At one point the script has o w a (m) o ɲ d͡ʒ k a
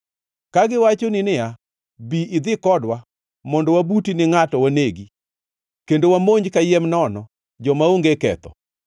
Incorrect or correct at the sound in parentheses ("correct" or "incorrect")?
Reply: correct